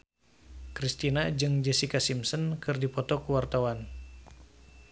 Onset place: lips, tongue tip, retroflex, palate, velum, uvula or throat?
velum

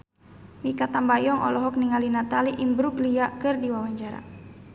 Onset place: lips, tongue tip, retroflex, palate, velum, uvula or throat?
lips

